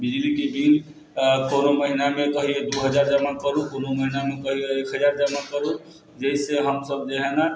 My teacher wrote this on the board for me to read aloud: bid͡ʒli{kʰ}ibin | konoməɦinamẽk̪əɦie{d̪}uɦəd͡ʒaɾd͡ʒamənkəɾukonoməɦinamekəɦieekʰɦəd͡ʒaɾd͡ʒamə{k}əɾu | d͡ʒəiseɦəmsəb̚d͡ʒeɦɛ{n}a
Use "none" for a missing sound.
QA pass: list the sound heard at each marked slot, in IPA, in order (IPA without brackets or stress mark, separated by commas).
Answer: k, d̪, k, n